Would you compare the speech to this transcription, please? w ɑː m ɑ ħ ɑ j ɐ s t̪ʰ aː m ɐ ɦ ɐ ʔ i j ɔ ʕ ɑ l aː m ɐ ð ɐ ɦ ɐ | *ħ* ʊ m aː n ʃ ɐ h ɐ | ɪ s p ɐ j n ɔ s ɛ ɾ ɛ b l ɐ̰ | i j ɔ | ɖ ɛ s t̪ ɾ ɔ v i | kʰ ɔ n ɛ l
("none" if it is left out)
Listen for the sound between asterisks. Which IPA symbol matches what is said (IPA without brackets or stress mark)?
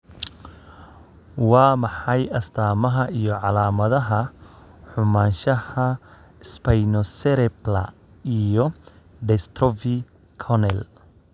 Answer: ħ